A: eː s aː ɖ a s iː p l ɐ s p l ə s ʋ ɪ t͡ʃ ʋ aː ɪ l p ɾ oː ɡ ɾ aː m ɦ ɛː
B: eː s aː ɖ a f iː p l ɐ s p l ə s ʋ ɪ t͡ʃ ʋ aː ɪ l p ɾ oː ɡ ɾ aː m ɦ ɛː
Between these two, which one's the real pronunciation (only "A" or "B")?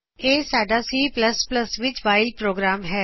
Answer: A